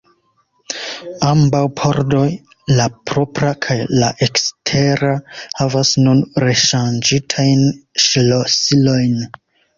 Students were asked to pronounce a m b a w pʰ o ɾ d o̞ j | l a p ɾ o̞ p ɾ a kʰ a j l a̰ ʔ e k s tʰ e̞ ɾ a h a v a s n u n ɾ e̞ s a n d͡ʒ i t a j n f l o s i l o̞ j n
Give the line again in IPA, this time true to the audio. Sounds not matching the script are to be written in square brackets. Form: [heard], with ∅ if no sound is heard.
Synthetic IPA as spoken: a m b a w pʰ o ɾ d o̞ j | l a p ɾ o̞ p ɾ a kʰ a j l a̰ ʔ e k s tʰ e̞ ɾ a h a v a s n u n ɾ e̞ [ʃ] a n d͡ʒ i [tʰ] a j n [ʃ] l o s i l o̞ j n